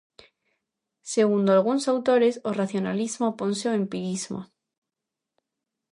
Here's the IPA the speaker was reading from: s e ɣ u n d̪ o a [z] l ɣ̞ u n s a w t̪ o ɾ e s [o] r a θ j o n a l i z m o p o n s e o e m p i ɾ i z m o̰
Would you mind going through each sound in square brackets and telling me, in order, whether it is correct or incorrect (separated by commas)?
incorrect, correct